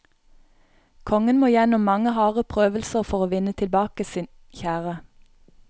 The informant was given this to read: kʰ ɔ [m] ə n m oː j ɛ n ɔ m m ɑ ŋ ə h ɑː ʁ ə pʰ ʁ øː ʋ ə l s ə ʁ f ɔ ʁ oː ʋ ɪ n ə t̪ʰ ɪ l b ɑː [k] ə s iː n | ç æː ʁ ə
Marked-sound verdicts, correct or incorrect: incorrect, correct

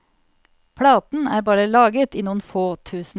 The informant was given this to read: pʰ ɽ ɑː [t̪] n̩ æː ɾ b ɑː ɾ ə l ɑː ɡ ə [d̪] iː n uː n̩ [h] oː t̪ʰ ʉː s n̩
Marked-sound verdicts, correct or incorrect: correct, incorrect, incorrect

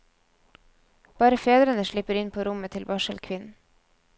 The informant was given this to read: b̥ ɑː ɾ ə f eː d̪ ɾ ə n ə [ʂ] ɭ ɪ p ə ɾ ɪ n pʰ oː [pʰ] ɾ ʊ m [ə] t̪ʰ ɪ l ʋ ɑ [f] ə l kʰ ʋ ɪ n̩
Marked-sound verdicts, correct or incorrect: incorrect, incorrect, correct, incorrect

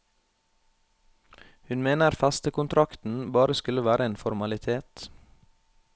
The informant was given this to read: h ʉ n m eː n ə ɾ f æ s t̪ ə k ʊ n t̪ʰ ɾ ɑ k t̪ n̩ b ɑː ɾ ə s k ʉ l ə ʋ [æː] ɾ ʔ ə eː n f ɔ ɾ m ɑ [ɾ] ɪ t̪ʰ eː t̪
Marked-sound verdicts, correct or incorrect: correct, incorrect

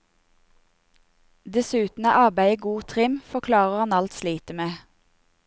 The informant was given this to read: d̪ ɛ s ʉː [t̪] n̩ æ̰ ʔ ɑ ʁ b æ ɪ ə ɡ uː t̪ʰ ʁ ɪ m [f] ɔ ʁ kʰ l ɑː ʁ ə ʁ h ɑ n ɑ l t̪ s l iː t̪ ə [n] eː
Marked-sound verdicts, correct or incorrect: correct, correct, incorrect

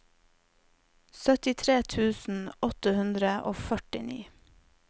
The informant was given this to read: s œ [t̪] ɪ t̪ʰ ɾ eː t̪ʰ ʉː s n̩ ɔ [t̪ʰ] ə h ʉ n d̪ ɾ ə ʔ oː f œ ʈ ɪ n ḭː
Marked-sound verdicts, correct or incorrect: correct, incorrect

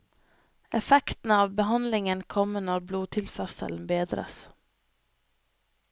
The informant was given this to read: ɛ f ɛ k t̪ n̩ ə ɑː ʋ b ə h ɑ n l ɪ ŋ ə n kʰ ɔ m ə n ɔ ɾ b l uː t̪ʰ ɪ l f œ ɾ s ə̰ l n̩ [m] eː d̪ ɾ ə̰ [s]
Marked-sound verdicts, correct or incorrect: incorrect, correct

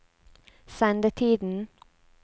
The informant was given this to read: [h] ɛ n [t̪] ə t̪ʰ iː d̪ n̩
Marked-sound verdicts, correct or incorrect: incorrect, incorrect

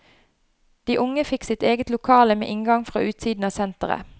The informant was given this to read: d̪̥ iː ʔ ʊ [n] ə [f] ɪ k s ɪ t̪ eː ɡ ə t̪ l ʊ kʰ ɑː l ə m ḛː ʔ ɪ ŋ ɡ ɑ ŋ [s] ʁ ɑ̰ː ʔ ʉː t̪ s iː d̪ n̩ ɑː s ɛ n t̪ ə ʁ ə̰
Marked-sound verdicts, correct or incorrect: incorrect, correct, incorrect

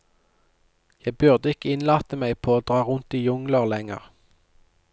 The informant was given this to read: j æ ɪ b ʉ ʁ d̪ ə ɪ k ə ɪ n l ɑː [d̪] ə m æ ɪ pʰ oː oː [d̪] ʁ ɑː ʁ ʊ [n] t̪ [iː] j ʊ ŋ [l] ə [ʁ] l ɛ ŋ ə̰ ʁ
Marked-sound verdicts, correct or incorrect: incorrect, correct, correct, correct, correct, correct

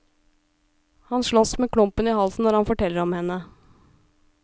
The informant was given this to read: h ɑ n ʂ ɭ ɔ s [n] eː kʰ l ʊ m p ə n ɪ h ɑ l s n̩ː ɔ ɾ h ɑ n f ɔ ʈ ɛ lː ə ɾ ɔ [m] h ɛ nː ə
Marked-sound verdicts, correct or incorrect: incorrect, correct

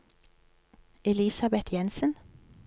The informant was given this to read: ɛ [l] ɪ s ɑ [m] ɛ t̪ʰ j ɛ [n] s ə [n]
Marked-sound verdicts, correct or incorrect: correct, incorrect, correct, correct

